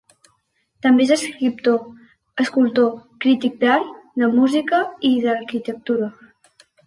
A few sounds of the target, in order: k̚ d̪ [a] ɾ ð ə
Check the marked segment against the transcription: correct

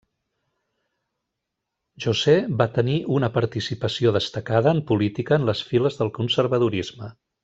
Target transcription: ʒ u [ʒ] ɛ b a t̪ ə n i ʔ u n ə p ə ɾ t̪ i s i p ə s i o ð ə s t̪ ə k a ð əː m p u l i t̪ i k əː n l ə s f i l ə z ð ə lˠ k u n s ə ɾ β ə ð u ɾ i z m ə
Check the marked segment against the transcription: incorrect: z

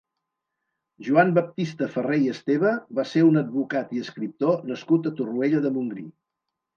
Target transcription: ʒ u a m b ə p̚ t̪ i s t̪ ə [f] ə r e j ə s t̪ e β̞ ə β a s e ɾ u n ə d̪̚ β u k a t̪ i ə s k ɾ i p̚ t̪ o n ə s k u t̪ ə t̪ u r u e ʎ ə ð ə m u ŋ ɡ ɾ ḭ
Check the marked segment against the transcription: correct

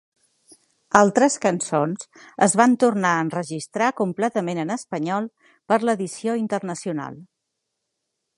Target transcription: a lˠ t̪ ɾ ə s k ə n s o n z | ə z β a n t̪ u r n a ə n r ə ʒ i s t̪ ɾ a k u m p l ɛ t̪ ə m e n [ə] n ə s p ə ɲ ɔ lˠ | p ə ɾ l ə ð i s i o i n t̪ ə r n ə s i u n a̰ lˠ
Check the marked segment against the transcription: correct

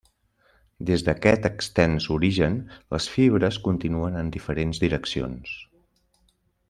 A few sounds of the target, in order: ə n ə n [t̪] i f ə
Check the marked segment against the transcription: incorrect: d̪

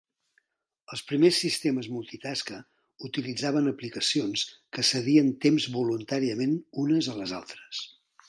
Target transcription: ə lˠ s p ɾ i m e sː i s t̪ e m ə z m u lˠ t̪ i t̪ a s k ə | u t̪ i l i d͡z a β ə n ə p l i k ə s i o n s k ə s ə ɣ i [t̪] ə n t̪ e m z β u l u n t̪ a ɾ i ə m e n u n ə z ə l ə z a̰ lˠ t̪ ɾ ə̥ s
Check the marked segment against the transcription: incorrect: none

